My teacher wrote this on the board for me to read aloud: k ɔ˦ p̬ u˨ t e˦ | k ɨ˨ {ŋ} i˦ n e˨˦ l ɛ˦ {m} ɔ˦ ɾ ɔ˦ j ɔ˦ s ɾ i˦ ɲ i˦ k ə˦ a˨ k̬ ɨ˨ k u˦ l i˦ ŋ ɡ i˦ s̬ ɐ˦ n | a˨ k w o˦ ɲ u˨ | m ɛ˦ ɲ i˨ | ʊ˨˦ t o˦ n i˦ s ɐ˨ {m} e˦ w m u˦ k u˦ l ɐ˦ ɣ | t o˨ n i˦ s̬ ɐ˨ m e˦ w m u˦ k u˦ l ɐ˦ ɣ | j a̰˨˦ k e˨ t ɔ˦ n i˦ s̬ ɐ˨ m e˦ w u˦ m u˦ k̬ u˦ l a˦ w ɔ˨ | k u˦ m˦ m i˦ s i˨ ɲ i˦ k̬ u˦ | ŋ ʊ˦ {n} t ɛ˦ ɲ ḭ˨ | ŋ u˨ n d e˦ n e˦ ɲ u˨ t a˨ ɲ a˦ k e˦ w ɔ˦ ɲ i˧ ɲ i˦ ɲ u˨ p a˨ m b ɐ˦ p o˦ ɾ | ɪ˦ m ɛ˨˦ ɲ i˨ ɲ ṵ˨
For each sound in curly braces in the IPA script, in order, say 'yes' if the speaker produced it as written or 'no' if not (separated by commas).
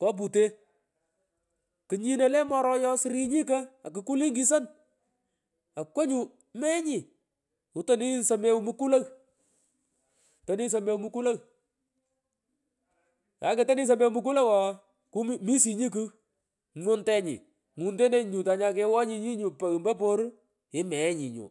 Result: no, yes, yes, yes